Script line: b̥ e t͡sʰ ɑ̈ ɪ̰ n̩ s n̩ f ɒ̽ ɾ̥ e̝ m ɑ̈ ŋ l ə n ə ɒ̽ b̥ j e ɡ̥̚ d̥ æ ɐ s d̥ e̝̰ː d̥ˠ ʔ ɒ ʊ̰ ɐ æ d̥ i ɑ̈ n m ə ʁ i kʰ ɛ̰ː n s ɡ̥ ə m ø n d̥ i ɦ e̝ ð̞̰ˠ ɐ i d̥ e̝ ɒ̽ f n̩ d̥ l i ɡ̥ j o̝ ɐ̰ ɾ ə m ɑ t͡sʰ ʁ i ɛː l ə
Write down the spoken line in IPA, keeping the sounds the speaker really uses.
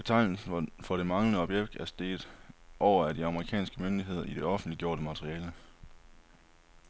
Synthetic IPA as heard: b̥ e t͡sʰ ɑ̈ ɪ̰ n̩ s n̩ f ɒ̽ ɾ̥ e̝ m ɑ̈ ŋ l ə n ə ɒ̽ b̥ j e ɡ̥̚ d̥ æ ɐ s d̥ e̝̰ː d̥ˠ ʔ ɒ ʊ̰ ɐ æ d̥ i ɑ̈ m ə ʁ i kʰ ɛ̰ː n s ɡ̥ ə m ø n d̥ i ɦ e̝ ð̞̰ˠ ɐ i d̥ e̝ ɒ̽ f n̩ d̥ l i ɡ̥ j o̝ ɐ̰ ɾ ə m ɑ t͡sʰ ʁ i ɛː l ə